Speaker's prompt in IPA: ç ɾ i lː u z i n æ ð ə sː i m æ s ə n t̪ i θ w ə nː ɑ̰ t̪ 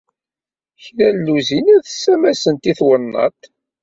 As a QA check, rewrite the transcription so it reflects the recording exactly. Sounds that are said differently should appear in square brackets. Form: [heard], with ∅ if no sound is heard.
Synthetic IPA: ç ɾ [æ] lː u z i n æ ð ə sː [æ] m æ s ə n t̪ i θ w ə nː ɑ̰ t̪

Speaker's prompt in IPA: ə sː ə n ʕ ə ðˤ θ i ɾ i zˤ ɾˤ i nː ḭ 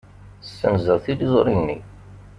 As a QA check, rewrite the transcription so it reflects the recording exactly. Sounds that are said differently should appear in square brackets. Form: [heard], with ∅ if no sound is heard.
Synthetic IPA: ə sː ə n [z] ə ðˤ θ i [l] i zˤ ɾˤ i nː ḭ

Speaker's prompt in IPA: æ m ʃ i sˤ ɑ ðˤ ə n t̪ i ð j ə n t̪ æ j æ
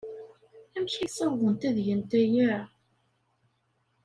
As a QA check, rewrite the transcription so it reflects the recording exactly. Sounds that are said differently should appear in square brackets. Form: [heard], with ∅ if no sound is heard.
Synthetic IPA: æ m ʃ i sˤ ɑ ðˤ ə n t̪ [æ] ð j ə n t̪ æ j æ

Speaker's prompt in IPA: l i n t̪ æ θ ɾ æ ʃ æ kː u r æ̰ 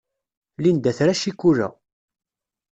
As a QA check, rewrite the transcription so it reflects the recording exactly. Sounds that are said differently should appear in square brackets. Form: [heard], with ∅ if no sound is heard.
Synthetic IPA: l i n [d̪] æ θ ɾ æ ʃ [i] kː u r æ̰

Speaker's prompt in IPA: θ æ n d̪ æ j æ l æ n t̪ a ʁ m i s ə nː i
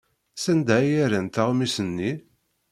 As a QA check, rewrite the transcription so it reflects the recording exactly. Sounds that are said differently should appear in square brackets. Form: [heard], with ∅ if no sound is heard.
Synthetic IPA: [s] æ n d̪ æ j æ [ɾ] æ n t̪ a ʁ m i s ə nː i

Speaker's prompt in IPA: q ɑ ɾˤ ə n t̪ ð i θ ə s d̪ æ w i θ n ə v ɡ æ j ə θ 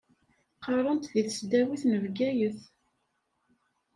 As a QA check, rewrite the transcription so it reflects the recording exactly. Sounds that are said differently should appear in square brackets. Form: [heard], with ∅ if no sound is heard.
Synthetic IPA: q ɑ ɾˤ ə n t̪ ð i θ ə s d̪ æ w i θ n ə v ɡ æ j ə θ

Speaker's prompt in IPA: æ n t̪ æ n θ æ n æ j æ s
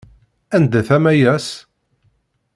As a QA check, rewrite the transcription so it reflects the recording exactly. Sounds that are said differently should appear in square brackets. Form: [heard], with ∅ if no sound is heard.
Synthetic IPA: æ n [d̪] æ [∅] θ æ [m] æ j æ s

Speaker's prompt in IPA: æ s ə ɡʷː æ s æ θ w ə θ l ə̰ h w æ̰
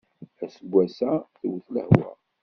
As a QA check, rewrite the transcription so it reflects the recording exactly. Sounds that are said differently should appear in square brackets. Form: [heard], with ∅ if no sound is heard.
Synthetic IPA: æ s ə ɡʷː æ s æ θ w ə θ l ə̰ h w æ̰

